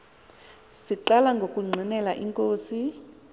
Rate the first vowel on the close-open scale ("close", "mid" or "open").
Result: close